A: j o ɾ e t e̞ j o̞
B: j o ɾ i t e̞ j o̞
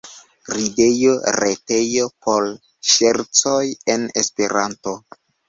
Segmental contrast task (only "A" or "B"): A